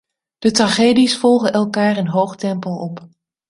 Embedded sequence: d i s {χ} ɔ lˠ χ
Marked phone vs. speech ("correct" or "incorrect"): incorrect